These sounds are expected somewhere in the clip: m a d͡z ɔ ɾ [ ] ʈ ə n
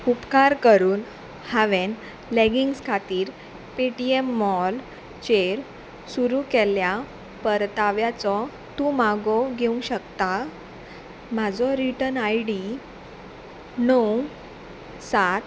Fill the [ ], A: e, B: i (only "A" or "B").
B